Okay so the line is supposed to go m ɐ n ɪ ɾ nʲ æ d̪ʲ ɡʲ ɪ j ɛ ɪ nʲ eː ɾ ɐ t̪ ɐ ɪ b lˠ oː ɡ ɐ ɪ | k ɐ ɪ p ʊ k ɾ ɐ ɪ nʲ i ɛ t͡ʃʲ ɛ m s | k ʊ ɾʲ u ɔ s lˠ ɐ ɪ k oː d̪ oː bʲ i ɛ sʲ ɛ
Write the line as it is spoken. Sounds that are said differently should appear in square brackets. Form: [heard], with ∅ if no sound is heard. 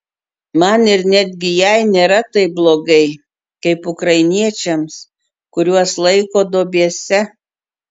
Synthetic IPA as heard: m ɐ n ɪ ɾ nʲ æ d̪ʲ ɡʲ ɪ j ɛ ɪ nʲ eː ɾ ɐ t̪ ɐ ɪ b lˠ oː ɡ ɐ ɪ | k ɐ ɪ p ʊ k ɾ ɐ ɪ nʲ i ɛ t͡ʃʲ ɛ m s | k ʊ ɾʲ u ɔ s lˠ ɐ ɪ k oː d̪ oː bʲ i ɛ sʲ ɛ